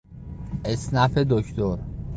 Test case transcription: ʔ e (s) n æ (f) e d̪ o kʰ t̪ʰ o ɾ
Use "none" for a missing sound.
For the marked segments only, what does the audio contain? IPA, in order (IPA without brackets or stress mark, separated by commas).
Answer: s, f